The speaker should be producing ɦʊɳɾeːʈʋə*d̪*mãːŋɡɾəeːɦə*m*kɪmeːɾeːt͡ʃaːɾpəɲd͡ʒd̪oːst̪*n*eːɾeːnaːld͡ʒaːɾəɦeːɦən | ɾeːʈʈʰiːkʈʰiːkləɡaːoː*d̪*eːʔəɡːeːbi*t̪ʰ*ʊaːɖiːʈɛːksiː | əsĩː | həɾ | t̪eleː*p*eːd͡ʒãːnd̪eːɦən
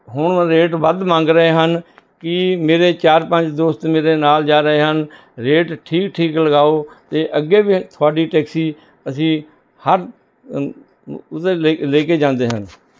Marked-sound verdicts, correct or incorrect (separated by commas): correct, incorrect, incorrect, incorrect, correct, incorrect